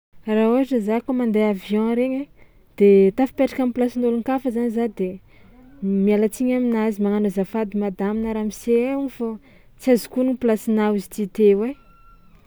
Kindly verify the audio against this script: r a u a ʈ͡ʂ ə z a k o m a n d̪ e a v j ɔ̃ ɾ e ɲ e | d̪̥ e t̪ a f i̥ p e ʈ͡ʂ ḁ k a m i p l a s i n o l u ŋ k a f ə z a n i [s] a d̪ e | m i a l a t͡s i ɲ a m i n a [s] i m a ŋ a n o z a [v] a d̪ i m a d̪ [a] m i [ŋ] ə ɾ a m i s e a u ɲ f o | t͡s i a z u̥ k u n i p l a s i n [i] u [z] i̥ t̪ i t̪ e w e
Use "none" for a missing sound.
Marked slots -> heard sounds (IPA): z, z, f, a, n, a, z

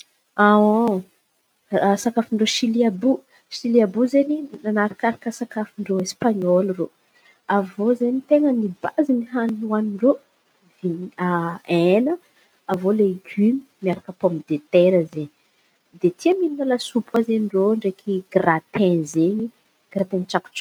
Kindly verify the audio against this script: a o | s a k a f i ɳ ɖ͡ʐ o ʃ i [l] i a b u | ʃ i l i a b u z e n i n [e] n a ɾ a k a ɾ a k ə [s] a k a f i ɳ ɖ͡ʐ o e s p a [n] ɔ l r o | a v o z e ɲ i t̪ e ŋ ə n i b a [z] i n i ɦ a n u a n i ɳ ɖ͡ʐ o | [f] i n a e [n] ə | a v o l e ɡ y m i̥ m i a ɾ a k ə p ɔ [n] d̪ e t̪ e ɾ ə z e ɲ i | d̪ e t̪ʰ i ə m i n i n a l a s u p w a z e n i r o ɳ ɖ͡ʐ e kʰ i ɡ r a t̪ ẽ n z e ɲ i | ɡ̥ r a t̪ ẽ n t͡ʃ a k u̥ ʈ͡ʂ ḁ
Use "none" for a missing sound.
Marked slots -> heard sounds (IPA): l, a, s, ɲ, z, v, n, m

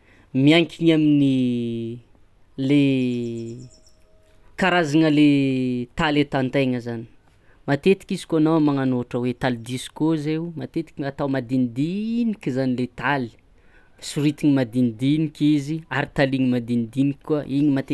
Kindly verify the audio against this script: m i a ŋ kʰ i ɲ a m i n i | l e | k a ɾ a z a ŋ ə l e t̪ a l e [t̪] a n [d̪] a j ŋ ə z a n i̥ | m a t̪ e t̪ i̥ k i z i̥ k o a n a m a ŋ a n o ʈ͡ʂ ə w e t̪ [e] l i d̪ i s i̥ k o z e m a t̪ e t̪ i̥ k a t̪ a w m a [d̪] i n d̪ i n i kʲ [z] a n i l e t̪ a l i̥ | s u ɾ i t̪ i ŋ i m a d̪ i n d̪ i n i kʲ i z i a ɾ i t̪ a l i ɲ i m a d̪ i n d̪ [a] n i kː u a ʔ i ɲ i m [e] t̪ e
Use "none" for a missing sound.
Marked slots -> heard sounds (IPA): t̪, t̪, a, d̪, z, i, a

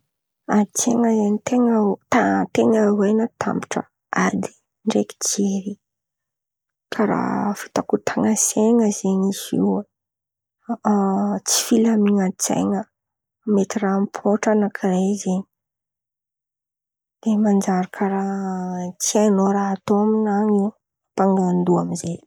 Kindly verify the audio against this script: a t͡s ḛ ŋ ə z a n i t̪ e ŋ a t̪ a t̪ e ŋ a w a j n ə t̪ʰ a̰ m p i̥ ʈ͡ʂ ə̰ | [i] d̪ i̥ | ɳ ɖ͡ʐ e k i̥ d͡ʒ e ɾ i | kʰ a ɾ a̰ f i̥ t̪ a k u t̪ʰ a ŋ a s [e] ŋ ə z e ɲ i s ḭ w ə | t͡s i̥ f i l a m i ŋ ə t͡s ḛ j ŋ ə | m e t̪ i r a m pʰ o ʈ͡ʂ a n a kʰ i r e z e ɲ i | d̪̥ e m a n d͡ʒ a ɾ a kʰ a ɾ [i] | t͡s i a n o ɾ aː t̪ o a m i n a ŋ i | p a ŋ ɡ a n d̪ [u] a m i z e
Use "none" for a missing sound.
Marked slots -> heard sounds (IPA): a, e, a, u

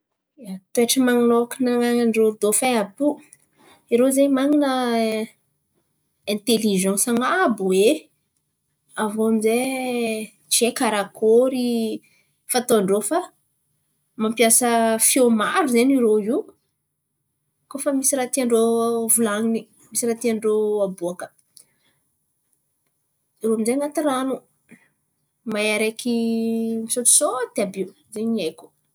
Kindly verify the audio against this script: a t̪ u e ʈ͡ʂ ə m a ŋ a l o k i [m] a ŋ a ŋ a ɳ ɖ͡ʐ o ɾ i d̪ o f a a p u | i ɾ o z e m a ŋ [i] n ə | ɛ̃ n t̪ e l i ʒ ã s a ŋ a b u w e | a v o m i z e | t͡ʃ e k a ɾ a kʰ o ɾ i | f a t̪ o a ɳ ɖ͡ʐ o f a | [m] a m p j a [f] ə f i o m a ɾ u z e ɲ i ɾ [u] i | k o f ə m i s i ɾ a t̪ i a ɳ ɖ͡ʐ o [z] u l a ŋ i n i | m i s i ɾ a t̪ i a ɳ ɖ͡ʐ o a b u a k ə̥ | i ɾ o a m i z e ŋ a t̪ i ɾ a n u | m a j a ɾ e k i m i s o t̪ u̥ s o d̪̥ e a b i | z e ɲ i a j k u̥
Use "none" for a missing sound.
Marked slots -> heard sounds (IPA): n, i, m, s, o, v

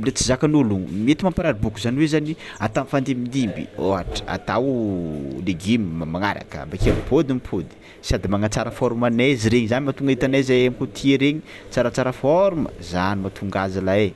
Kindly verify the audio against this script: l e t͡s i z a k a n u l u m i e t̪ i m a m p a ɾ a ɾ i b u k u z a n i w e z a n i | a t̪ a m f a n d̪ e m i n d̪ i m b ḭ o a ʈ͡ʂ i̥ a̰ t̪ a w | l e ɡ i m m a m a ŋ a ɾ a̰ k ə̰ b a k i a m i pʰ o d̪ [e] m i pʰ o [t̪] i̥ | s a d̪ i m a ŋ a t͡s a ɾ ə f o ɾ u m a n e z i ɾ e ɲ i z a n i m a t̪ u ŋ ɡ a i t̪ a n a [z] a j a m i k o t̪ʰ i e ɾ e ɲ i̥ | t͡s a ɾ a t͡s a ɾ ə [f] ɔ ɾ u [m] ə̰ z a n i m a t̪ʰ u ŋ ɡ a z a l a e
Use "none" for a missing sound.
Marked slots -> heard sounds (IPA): i, d̪, z, f, m

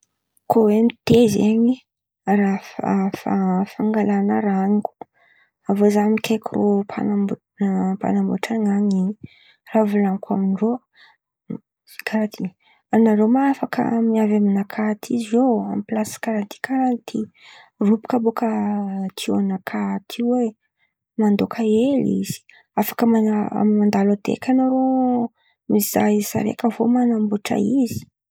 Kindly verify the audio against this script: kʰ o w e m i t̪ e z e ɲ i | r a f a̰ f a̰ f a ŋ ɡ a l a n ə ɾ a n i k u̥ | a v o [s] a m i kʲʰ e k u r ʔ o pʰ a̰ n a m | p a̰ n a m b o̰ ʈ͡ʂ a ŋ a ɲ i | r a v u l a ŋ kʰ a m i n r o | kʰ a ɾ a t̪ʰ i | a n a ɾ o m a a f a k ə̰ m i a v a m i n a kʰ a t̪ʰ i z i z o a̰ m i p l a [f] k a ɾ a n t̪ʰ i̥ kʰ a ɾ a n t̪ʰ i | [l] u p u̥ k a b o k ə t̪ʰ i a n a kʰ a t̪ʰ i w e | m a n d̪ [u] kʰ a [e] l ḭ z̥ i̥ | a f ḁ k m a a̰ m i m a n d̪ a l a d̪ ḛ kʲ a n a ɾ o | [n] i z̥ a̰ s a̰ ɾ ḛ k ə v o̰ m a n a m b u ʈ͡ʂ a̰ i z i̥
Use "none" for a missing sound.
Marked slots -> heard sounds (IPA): z, s, r, o, e, m

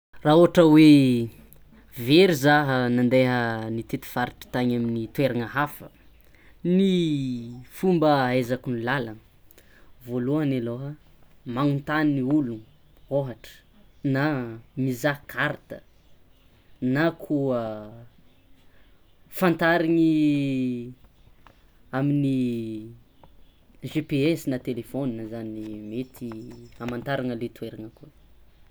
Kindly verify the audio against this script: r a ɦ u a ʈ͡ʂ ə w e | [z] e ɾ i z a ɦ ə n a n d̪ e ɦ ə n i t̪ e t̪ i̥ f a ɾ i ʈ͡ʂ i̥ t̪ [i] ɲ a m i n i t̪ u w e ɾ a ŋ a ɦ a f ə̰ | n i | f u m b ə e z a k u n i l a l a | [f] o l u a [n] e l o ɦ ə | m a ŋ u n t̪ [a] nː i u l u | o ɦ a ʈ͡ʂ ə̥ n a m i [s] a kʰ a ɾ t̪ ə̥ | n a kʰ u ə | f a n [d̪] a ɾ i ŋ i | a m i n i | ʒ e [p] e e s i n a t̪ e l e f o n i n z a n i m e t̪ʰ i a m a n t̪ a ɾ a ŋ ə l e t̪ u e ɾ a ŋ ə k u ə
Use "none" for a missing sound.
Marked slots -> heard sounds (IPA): v, a, v, n, a, z, t̪, p

